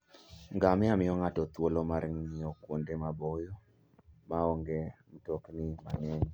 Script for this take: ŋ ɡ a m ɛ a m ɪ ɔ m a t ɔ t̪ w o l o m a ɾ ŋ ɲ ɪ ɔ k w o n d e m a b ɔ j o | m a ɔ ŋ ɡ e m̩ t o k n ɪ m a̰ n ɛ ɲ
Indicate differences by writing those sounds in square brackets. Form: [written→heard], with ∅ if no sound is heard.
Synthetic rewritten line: ŋ ɡ a m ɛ a m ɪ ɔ [m→ŋ] a t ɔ t̪ w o l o m a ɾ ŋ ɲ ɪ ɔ k w o n d e m a b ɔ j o | m a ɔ ŋ ɡ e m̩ t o k n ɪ m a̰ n ɛ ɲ

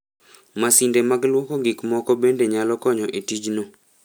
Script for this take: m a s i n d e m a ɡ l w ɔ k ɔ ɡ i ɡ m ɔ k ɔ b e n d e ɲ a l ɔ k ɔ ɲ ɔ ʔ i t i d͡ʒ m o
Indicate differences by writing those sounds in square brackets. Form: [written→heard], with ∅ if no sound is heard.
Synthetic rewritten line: m a s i n d e m a ɡ l w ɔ k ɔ ɡ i [ɡ→k] m ɔ k ɔ b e n d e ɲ a l ɔ k ɔ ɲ ɔ ʔ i t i d͡ʒ [m→n] o

